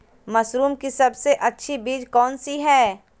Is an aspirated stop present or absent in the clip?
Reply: absent